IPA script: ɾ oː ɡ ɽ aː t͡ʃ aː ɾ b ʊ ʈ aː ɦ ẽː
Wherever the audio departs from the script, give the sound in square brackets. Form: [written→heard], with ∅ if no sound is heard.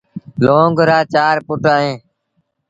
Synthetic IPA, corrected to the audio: [ɾ→l] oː ɡ [ɽ→ɾ] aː t͡ʃ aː ɾ [b→p] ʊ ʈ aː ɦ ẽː